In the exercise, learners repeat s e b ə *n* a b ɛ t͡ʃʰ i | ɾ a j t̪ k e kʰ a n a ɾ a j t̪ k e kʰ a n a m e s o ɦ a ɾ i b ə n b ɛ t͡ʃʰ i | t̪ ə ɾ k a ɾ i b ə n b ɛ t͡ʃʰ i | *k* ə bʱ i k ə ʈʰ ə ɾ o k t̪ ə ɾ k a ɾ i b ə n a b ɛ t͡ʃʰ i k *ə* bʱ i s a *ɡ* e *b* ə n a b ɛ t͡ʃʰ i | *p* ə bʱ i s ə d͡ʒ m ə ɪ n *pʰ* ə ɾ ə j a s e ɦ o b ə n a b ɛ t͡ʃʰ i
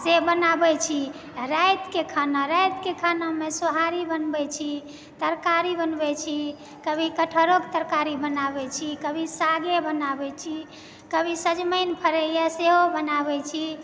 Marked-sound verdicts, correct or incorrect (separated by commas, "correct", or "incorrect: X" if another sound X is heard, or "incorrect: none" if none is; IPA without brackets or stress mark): correct, correct, correct, correct, correct, incorrect: k, correct